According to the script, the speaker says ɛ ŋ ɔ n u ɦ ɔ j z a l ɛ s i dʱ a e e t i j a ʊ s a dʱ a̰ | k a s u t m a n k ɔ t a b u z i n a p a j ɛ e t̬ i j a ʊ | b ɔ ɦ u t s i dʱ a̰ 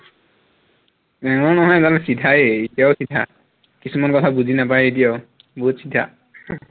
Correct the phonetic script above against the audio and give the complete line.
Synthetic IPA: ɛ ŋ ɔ n ɔ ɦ ɔ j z a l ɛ s i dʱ a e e t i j a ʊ s i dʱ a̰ | k i s u m a n k ɔ tʰ a b u z i n a p a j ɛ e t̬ i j a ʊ | b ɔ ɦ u t s i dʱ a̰